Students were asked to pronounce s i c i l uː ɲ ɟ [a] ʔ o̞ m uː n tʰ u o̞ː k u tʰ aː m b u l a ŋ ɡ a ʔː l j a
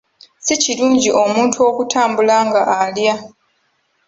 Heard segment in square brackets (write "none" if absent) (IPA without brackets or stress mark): i